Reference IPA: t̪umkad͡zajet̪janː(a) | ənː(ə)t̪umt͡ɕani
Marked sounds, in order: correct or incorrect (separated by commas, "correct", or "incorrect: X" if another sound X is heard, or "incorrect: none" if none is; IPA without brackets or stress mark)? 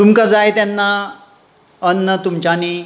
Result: correct, correct